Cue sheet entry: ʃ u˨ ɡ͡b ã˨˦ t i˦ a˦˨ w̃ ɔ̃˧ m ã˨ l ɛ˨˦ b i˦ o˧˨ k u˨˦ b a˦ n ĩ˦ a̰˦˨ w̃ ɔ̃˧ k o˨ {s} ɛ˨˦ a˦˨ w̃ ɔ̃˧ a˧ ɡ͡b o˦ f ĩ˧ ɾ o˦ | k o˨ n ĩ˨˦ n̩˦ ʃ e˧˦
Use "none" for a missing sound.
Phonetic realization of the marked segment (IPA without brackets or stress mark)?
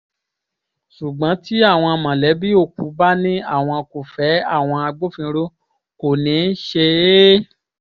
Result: f